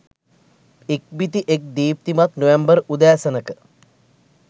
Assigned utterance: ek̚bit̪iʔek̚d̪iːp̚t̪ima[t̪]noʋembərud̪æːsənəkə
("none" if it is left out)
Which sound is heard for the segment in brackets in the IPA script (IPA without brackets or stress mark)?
t̪